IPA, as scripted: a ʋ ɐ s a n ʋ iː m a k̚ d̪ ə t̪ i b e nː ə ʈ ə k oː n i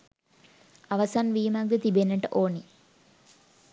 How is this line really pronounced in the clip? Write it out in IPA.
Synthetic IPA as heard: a ʋ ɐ s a n ʋ iː m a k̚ d̪ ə t̪ i b e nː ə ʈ ə ʔ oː n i